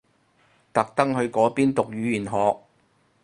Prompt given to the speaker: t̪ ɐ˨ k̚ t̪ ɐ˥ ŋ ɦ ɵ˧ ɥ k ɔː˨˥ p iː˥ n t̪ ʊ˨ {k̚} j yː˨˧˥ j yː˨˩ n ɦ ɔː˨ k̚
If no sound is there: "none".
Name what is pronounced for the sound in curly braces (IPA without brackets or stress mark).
k̚